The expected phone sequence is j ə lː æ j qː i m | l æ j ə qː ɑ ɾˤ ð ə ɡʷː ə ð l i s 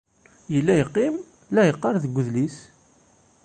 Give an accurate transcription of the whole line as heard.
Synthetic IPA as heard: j ə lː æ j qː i m | l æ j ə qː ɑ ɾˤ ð ə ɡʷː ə ð l i s